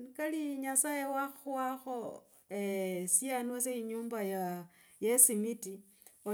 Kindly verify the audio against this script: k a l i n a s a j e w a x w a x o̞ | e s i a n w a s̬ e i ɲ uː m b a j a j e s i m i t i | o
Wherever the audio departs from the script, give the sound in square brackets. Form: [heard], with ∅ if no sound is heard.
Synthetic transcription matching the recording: k a l i [ɲ] a s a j e w a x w a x o̞ | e s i a n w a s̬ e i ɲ uː m b a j a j e s i m i t i | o